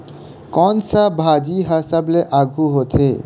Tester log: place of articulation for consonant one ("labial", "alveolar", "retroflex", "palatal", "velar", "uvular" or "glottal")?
velar